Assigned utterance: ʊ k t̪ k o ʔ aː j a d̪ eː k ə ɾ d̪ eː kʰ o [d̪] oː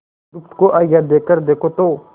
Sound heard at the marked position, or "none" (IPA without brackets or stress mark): t̪